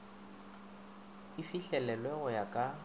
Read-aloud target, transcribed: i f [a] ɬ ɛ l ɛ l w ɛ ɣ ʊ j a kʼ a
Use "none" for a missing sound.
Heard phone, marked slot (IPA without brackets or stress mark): i